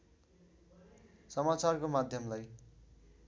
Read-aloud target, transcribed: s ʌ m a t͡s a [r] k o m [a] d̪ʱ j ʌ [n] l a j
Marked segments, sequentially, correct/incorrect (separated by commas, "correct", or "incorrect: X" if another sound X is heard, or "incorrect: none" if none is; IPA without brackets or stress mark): correct, correct, incorrect: m